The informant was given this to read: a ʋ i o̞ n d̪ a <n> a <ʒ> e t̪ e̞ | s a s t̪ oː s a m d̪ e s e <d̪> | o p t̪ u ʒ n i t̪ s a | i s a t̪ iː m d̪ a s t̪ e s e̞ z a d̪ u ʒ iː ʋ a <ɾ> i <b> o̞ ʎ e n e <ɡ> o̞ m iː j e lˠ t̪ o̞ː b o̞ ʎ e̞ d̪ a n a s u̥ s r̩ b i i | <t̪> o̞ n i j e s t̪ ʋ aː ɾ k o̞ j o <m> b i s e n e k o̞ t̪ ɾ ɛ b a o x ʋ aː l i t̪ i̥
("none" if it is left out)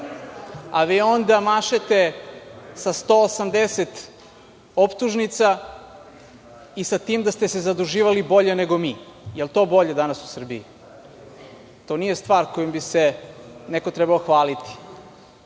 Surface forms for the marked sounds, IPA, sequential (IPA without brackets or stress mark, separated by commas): m, ʃ, t̪, l, b, ɡ, t̪, m